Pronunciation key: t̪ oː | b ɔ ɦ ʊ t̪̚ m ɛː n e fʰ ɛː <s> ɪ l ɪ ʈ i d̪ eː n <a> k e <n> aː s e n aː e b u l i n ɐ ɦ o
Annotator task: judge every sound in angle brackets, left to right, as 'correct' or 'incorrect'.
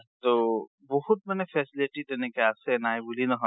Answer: correct, incorrect, incorrect

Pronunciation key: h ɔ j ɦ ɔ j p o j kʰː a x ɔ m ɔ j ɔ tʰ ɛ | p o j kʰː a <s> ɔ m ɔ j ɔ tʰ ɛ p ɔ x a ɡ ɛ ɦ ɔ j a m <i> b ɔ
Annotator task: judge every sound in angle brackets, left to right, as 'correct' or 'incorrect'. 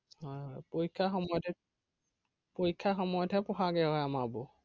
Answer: incorrect, incorrect

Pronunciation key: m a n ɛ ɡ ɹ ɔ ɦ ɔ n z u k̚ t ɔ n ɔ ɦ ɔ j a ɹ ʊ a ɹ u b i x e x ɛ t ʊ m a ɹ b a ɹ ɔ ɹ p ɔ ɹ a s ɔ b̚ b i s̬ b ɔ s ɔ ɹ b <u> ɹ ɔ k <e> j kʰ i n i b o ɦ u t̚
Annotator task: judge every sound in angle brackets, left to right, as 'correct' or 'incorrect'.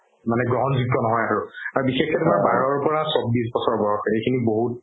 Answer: incorrect, correct

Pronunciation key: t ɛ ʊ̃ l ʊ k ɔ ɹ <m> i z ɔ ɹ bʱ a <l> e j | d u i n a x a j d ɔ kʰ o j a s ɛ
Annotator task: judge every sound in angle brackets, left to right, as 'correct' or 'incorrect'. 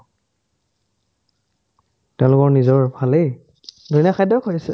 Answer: incorrect, correct

